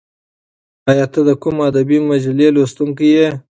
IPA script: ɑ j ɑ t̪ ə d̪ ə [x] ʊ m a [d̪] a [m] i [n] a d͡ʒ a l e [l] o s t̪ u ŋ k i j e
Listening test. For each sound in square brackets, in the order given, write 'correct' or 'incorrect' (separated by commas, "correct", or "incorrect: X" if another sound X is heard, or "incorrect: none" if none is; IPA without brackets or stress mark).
incorrect: k, correct, incorrect: b, incorrect: m, correct